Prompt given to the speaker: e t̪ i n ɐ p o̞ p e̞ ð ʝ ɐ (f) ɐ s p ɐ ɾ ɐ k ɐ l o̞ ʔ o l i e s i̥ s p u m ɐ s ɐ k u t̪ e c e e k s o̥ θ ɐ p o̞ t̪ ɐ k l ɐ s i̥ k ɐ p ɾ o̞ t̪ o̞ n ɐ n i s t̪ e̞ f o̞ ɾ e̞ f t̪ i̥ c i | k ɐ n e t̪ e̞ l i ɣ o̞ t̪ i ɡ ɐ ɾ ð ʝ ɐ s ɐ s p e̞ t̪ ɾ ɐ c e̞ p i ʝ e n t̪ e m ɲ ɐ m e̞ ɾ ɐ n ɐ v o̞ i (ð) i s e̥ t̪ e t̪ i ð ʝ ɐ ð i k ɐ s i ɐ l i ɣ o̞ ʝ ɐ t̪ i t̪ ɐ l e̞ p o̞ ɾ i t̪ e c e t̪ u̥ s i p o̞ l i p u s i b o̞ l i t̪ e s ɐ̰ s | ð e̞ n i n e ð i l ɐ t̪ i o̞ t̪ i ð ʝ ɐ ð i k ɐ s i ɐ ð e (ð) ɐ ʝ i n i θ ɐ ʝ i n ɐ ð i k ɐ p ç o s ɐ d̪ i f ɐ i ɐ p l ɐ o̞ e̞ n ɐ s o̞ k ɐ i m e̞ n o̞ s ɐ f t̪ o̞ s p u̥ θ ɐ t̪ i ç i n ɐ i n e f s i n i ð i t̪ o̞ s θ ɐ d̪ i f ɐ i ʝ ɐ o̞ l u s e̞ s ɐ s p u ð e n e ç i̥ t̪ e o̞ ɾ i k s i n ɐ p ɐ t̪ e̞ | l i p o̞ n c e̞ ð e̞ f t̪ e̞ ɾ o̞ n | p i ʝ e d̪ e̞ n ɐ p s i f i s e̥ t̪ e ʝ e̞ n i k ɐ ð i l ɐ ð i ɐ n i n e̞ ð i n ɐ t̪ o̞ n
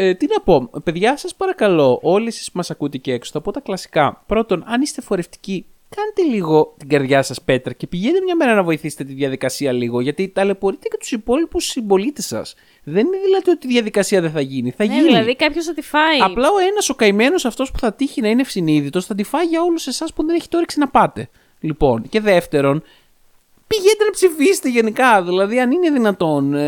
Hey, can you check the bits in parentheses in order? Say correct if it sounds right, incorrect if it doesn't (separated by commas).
incorrect, incorrect, incorrect